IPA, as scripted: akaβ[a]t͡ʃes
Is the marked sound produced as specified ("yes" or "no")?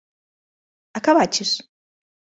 yes